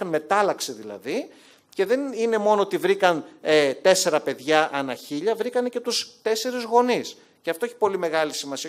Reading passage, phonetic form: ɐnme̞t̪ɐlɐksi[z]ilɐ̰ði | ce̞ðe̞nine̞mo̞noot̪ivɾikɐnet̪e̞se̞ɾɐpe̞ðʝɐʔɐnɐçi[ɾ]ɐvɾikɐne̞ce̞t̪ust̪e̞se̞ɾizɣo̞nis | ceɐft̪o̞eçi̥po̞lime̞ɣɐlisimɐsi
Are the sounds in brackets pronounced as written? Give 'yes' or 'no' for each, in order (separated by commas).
no, no